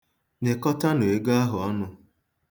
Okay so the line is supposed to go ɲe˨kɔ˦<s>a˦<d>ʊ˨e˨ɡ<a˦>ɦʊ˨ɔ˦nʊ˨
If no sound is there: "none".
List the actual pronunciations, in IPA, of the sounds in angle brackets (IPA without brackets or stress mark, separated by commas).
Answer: t, n, a˦